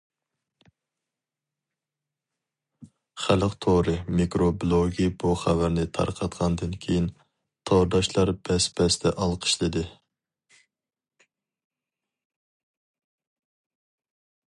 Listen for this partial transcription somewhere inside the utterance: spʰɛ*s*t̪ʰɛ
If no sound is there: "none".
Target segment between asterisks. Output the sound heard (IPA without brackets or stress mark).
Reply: s